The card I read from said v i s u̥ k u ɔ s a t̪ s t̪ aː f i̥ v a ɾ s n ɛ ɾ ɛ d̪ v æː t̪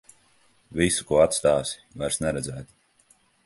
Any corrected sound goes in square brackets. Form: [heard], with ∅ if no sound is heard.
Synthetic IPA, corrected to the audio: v i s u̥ k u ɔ [∅] a t̪ s t̪ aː [s] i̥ v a ɾ s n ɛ ɾ ɛ d̪ [z] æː t̪